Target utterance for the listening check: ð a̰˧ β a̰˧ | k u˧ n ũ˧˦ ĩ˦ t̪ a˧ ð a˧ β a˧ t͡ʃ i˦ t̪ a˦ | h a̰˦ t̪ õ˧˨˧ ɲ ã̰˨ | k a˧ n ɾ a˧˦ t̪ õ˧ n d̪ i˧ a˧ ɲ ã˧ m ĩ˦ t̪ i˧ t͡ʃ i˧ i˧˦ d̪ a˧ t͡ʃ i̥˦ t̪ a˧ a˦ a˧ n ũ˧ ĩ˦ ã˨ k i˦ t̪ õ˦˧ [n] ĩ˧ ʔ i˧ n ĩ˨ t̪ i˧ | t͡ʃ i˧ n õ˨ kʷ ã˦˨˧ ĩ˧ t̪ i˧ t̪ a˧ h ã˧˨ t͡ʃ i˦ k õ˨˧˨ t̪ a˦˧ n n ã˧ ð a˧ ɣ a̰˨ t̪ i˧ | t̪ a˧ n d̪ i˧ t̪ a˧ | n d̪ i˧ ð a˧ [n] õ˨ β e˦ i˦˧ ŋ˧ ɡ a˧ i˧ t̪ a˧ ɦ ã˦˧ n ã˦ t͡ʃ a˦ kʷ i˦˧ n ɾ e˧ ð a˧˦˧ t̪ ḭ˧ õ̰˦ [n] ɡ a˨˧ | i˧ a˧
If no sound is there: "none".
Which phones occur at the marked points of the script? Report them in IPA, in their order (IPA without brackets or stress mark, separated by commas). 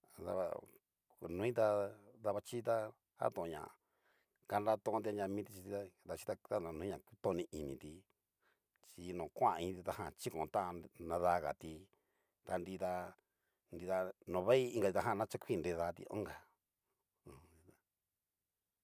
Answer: n, n, ŋ